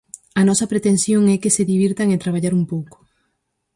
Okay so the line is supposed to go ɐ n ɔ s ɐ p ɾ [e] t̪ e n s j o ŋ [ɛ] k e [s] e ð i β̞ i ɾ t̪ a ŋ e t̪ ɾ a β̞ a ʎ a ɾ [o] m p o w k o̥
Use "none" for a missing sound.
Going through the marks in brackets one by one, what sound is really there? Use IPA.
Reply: e, ɛ, s, u

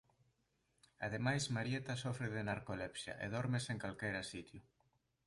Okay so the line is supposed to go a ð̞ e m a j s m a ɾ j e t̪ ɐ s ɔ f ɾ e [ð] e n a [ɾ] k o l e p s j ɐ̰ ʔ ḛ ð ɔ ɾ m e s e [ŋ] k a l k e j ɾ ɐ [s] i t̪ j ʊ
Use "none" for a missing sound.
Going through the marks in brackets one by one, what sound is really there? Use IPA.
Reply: ð, ɾ, ŋ, s

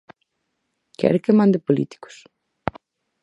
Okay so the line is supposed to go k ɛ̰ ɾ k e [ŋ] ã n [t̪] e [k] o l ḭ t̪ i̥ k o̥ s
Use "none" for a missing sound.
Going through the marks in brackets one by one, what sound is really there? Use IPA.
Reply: m, d̪, p

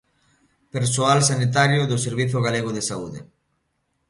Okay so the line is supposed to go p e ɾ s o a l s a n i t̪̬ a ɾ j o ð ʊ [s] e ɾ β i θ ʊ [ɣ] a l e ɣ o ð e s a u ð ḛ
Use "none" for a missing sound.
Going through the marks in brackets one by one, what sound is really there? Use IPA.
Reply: s, ɣ

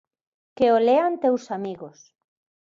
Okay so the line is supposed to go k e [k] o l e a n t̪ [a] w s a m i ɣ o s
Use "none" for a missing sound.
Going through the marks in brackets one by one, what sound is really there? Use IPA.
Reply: none, e

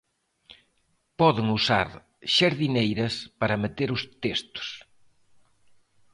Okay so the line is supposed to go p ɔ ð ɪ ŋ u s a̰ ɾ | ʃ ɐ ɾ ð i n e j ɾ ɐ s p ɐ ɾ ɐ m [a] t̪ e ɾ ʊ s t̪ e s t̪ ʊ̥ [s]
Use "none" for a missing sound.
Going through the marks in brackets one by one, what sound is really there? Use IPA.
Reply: e, s

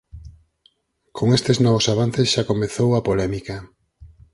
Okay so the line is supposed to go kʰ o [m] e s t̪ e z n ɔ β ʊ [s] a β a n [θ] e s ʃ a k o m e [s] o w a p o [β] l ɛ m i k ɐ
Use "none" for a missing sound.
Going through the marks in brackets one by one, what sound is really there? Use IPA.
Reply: ŋ, s, θ, θ, none

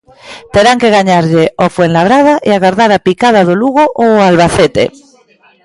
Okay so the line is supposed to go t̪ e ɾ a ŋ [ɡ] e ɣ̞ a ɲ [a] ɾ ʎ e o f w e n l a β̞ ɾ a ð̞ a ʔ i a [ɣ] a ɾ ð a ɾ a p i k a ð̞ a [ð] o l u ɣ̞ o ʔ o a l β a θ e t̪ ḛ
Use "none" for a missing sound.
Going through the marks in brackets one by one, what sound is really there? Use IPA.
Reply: k, a, ɣ, ð

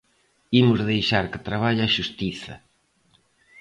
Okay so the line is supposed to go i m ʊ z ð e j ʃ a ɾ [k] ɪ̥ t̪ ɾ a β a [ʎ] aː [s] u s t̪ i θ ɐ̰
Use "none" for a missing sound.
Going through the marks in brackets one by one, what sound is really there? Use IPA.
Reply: k, ʎ, ʃ

